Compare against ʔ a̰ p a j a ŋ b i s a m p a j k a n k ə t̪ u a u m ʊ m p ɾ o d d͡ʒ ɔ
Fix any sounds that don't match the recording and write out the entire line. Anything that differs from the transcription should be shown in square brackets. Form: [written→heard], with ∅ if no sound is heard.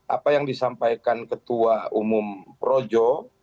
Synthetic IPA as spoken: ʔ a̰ p a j a ŋ [b→d] i s a m p a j k a n k ə t̪ u a u m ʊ m p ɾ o [d→∅] d͡ʒ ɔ